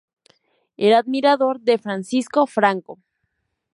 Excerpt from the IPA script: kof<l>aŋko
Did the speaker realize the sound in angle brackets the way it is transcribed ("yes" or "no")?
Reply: no